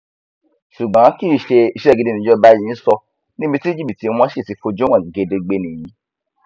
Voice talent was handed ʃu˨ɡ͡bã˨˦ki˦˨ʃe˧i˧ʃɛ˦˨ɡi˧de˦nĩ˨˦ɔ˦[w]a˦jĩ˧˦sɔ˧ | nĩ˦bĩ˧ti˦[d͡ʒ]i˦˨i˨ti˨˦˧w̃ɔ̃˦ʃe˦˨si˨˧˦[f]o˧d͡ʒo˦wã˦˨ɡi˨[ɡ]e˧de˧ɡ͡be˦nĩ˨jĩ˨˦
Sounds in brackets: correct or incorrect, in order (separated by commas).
incorrect, correct, correct, correct